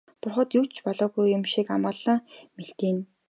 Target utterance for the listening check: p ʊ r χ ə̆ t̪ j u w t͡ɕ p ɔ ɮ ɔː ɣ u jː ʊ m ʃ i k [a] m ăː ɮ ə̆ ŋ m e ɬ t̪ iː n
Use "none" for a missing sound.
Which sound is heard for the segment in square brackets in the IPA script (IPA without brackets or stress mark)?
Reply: a